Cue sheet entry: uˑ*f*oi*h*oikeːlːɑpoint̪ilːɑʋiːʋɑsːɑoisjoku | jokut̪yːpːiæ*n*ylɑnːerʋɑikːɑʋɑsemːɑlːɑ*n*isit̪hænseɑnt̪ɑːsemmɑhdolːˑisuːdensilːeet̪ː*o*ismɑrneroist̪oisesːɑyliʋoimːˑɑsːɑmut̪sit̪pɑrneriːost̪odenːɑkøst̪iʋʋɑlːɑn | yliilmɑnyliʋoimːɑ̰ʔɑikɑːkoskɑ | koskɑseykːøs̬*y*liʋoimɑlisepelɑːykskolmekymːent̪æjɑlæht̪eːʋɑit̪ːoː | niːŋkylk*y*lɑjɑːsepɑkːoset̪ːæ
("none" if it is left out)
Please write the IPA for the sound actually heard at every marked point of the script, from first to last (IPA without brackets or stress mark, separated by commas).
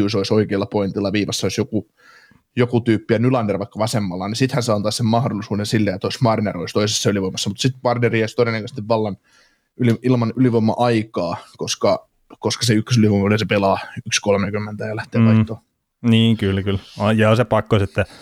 s, s, n, n, o, y, y